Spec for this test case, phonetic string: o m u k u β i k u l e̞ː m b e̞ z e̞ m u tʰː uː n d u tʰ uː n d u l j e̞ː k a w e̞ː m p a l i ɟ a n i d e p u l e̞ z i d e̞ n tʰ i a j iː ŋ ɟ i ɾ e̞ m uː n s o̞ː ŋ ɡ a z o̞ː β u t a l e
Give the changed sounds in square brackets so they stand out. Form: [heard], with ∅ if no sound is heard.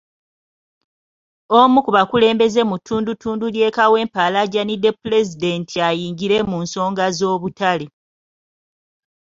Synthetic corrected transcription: o m u k u β [a] k u l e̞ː m b e̞ z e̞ m u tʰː uː n d u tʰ uː n d u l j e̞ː k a w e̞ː m p a l [a] ɟ a n i d e p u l e̞ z i d e̞ n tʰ i a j iː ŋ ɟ i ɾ e̞ m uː n s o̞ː ŋ ɡ a z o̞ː β u t a l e